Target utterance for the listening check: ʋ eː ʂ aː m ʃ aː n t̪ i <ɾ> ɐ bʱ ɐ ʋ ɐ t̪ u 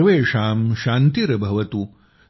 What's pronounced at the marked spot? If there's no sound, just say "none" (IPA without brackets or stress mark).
ɾ